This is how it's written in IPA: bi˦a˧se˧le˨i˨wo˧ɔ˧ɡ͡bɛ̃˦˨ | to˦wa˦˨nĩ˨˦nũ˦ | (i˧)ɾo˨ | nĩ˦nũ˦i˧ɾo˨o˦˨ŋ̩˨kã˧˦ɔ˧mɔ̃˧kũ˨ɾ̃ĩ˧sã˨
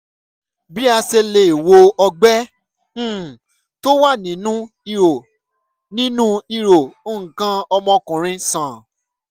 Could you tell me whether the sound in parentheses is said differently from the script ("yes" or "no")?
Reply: no